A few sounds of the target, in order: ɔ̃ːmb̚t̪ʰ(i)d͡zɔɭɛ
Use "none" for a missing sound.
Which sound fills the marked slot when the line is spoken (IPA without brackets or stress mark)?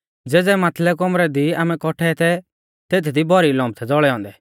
ɛ